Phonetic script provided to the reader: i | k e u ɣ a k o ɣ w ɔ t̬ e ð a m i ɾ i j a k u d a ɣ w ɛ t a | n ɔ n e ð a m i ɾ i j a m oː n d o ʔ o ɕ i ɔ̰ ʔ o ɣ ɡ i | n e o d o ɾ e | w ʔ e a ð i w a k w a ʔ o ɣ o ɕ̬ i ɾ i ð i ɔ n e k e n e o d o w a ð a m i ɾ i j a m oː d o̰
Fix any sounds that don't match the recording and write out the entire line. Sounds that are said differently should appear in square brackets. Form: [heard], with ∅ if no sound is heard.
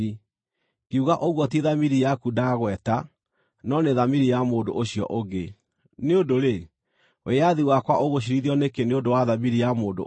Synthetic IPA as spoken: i | k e u ɣ a [ʔ] o ɣ w ɔ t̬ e ð a m i ɾ i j a k u d a ɣ w ɛ t a | n ɔ n e ð a m i ɾ i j a m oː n d o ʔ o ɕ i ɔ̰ ʔ o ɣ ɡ [e] | n e o d o ɾ e | w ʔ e a ð i w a k w a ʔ o ɣ o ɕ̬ i ɾ i ð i ɔ n e k e n e o d o w a ð a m i ɾ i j a m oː d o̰